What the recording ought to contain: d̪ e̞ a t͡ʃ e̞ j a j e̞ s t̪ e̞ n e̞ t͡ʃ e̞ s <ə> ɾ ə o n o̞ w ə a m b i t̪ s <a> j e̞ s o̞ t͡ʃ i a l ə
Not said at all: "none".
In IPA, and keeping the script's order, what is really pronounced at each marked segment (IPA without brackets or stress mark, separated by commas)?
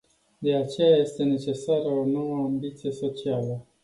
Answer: a, i